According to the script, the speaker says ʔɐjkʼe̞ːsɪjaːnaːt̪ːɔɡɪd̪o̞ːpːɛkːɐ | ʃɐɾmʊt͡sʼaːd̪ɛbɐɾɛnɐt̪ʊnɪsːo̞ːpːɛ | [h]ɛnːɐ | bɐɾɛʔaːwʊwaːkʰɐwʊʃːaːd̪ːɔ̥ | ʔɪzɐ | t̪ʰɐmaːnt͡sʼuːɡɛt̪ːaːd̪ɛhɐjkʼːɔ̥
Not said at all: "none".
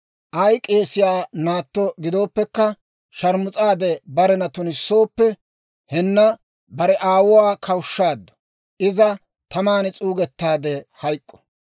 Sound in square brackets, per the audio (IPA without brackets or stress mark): h